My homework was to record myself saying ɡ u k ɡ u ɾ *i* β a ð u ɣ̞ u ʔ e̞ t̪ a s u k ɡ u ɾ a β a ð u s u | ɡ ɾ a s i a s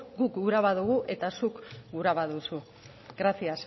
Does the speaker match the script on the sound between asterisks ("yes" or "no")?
no